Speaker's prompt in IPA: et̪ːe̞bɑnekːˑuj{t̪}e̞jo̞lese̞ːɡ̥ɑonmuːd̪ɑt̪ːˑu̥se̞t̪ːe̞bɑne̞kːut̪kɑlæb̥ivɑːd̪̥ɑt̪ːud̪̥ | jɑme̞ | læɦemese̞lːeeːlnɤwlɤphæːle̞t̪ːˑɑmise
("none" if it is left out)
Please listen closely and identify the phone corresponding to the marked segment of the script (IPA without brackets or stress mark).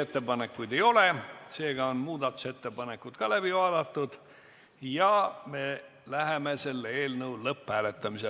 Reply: d̪